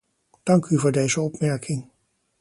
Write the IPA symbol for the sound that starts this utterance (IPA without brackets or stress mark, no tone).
d̥